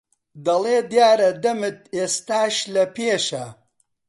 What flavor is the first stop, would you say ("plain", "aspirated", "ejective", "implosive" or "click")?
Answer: plain